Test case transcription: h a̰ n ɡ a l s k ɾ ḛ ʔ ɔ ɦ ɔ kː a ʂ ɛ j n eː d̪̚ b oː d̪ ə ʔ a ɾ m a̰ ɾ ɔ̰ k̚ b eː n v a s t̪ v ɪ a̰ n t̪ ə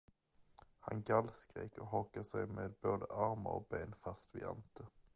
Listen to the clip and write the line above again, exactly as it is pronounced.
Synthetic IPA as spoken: h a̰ n ɡ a l s k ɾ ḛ k ɔ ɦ ɔ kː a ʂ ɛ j m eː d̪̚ b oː d̪ ə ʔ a ɾ m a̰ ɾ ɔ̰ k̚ b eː n f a s t̪ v ɪ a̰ n t̪ ə